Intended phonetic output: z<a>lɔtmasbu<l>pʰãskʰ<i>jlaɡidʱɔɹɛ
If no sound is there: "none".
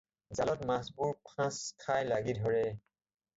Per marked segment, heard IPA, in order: a, ɹ, a

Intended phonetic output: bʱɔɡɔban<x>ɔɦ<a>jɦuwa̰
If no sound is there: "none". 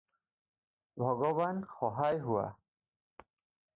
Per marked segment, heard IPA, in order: x, a

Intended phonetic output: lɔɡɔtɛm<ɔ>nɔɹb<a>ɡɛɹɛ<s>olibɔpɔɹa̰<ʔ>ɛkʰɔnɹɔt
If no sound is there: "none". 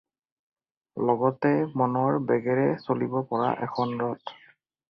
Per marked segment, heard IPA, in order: ɔ, ɛ, s, ʔ

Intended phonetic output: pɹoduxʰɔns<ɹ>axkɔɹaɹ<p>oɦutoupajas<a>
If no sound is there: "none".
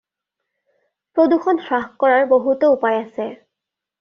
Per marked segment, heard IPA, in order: ɹ, b, ɛ

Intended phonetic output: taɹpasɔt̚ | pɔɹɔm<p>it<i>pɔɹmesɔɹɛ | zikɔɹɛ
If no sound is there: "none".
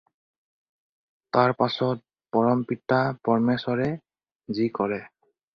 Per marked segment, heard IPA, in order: p, a

